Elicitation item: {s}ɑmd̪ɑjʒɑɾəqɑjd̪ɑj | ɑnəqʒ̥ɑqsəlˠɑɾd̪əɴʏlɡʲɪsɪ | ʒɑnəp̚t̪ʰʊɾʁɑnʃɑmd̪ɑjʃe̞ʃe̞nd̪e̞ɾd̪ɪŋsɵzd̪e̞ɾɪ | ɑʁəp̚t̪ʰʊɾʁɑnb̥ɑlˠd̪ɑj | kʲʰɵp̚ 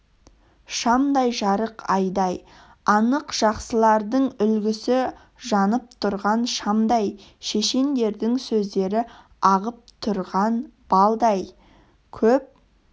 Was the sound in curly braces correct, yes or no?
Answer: no